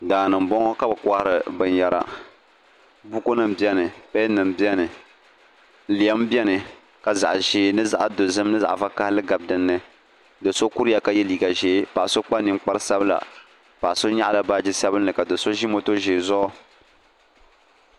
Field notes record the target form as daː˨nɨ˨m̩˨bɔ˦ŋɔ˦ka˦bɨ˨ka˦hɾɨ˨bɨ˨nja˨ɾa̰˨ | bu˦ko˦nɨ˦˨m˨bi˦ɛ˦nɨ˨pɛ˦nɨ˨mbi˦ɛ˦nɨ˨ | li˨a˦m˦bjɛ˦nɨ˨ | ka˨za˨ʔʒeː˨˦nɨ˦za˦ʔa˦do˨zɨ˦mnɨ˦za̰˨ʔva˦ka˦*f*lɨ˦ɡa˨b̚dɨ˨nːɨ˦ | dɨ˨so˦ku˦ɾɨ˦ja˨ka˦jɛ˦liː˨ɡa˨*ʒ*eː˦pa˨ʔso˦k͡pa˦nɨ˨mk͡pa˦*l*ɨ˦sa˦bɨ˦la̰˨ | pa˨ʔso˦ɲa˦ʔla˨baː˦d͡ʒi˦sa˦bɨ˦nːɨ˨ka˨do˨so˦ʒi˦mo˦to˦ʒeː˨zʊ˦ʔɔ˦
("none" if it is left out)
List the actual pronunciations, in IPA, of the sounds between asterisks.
h, ʒ, ɾ

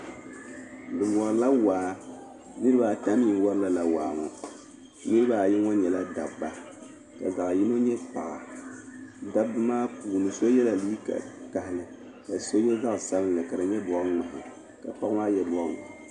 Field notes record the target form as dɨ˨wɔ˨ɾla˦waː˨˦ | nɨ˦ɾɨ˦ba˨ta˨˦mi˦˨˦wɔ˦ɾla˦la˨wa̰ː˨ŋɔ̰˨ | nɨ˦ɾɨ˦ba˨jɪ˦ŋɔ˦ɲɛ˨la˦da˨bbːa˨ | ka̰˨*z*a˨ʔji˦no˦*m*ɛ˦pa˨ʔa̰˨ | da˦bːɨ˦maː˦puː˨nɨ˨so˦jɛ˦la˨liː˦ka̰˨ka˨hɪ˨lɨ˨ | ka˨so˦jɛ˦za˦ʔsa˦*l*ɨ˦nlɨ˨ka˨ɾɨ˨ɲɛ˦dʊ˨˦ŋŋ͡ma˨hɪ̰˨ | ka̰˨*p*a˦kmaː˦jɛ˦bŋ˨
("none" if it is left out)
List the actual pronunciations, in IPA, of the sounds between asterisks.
z, ɲ, l, p

